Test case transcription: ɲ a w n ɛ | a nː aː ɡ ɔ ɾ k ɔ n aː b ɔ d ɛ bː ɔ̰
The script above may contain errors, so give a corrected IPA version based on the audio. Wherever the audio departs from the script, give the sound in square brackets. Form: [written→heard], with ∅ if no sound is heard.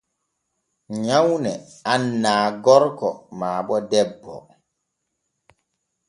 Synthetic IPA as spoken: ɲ a w n ɛ | a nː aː ɡ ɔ ɾ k ɔ [n→m] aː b ɔ d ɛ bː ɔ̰